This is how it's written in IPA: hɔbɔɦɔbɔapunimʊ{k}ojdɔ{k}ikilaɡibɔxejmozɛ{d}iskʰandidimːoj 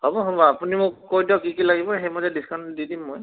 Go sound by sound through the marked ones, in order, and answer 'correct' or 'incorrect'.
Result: correct, correct, correct

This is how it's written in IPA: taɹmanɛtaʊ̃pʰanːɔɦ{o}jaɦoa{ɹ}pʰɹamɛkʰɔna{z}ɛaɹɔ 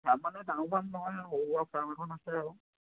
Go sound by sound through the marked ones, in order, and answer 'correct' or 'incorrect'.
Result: incorrect, incorrect, incorrect

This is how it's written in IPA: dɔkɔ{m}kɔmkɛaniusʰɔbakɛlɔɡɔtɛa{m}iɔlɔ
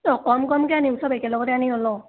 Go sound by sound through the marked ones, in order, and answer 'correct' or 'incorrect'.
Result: correct, incorrect

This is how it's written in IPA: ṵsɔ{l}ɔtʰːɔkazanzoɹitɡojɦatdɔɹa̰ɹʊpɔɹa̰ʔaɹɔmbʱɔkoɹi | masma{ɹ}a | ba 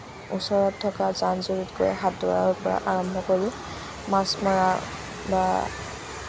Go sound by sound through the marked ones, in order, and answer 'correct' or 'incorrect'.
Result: incorrect, correct

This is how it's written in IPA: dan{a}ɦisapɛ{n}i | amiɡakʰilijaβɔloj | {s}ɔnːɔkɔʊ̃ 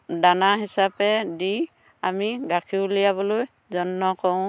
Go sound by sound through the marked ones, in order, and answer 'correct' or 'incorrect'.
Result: correct, incorrect, incorrect

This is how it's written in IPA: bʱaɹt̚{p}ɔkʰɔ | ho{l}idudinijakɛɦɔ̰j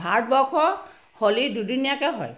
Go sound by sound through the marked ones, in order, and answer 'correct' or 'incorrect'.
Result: incorrect, correct

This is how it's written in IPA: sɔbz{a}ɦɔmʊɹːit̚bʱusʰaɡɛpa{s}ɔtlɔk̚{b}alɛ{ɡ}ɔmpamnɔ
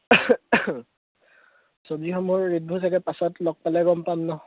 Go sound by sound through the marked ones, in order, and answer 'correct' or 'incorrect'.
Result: incorrect, correct, incorrect, correct

